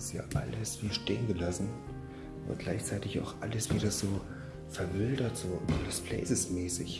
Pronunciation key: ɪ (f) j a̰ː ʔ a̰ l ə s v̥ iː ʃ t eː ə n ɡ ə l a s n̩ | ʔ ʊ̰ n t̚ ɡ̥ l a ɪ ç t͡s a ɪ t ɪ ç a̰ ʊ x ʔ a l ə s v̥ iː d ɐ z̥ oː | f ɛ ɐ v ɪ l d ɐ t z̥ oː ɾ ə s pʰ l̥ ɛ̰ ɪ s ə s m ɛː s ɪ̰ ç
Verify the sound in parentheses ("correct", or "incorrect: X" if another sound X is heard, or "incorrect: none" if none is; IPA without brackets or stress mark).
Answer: incorrect: s